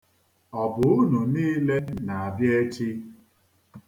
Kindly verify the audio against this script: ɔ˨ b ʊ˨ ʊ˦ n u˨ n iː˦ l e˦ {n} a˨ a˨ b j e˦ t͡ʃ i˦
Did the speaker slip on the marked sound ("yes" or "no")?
no